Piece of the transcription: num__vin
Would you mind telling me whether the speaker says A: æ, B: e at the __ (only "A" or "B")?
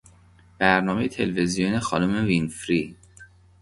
B